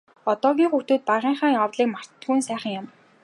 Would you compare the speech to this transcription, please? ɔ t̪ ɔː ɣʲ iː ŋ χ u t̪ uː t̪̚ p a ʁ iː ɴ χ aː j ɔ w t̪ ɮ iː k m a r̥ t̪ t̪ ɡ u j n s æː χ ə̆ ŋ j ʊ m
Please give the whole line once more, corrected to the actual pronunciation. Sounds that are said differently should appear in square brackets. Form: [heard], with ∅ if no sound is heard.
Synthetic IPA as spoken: ɔ t̪ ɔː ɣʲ iː ŋ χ u t̪ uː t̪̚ p a ʁ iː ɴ χ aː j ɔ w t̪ ɮ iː k m a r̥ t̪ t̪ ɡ u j n s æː χ ə̆ ŋ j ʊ m